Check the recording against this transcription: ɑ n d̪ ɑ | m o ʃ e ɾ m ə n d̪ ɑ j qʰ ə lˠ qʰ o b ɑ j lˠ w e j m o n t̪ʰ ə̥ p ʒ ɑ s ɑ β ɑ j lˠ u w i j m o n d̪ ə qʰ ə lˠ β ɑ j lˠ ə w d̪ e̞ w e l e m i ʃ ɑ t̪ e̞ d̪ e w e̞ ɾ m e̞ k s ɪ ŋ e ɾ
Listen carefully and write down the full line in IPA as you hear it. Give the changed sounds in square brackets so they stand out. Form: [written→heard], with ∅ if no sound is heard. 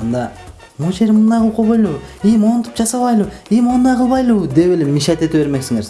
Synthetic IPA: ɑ n d̪ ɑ | m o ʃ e ɾ m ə n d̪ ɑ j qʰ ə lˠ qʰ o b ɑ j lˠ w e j m o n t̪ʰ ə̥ p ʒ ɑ s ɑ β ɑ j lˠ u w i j m o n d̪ [ə→ɑ] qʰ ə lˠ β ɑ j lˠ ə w d̪ e̞ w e l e m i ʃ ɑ t̪ e̞ [d̪→t̪] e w e̞ ɾ m e̞ k s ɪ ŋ e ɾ

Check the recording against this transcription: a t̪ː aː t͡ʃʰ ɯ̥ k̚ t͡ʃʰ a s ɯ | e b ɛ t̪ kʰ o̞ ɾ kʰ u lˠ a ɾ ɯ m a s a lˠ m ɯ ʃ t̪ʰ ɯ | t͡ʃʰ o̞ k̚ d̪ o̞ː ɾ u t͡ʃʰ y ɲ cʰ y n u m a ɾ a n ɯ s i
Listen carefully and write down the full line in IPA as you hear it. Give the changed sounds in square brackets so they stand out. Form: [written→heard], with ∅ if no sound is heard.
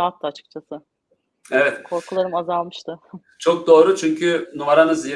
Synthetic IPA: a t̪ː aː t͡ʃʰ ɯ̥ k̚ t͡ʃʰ a s ɯ | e [b→v] ɛ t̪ kʰ o̞ ɾ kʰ u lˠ a ɾ ɯ m a [s→z] a lˠ m ɯ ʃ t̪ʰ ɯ | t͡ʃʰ o̞ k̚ d̪ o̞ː ɾ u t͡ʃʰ y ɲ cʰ y n u m a ɾ a n ɯ [s→z] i

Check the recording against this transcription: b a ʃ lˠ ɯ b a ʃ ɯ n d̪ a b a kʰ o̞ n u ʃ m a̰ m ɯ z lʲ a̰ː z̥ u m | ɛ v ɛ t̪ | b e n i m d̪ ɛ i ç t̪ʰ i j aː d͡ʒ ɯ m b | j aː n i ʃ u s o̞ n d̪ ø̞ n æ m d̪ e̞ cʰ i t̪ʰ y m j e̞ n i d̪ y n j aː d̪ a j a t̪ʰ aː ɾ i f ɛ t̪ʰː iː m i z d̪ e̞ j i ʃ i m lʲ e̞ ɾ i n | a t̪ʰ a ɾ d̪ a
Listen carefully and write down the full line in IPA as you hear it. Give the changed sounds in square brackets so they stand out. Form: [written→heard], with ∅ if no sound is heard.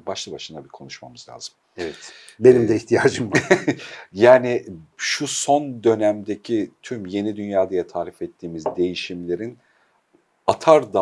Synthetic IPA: b a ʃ lˠ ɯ b a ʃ ɯ n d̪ a b [a→i] kʰ o̞ n u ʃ m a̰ m ɯ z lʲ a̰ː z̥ [u→ɯ] m | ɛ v ɛ t̪ | b e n i m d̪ ɛ i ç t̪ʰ i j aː d͡ʒ ɯ m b | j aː n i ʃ u s o̞ n d̪ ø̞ n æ m d̪ e̞ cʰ i t̪ʰ y m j e̞ n i d̪ y n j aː d̪ a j a t̪ʰ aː ɾ i f ɛ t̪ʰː iː m i z d̪ e̞ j i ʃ i m lʲ e̞ ɾ i n | a t̪ʰ a ɾ d̪ a

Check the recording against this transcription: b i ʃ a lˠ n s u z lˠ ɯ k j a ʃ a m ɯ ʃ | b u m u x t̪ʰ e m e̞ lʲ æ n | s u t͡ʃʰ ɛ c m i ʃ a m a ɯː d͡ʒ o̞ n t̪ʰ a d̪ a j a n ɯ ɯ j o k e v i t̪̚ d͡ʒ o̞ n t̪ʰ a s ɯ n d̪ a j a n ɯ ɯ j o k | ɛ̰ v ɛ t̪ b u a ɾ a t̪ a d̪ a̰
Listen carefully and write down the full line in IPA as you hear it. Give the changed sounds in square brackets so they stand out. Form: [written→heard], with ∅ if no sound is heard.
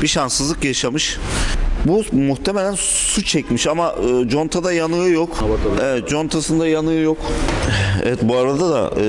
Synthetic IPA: b i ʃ a [lˠ→∅] n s [u→ɯ] z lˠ ɯ k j a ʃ a m ɯ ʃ | b u m u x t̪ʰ e m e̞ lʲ æ n | s u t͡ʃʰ ɛ c m i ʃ a m a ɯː d͡ʒ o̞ n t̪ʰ a d̪ a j a n ɯ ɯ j o k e v [i→ɛ] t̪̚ d͡ʒ o̞ n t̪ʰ a s ɯ n d̪ a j a n ɯ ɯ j o k | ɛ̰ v ɛ t̪ b u a ɾ a [t̪→d̪] a d̪ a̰

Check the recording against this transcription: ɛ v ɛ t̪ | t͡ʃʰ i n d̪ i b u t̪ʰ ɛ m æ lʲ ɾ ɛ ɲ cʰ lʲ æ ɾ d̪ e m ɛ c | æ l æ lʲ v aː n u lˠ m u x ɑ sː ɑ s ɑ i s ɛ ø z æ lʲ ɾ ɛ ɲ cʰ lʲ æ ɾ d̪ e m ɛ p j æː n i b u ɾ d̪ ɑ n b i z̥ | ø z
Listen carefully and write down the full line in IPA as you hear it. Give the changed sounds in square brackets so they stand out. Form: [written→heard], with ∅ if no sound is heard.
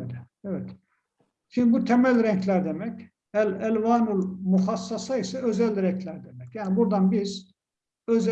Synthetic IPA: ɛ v ɛ t̪ | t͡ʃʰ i n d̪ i b u t̪ʰ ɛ m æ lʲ ɾ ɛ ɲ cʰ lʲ æ ɾ d̪ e m ɛ c | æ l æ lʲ v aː n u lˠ m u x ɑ sː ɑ s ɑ i s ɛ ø z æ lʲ ɾ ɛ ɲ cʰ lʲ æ ɾ d̪ e m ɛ [p→c] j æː n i b u ɾ d̪ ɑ n b i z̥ | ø z

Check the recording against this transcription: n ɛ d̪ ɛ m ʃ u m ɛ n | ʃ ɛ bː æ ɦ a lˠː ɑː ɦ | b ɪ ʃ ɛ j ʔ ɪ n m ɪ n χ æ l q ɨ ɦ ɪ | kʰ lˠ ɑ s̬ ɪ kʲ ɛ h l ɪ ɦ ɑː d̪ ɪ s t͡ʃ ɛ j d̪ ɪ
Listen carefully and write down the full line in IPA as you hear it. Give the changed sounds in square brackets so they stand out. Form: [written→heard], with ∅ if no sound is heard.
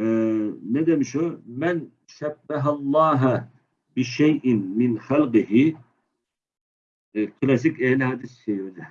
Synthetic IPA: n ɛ d̪ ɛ m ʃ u m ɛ n | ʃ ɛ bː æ ɦ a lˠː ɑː ɦ | b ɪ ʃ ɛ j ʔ ɪ n m ɪ n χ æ l q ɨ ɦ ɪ | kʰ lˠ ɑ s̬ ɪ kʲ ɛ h l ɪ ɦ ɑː d̪ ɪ s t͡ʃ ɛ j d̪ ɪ

